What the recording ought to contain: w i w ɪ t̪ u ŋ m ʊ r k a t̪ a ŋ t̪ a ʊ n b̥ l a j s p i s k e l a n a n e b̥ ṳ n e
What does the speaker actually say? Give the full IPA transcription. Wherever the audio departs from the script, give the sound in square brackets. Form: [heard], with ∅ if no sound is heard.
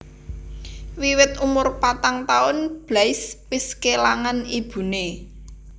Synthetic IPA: w i w ɪ t̪ u [∅] m ʊ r [p] a t̪ a ŋ t̪ a ʊ n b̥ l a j s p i s k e l a [ŋ] a n [i] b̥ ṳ n e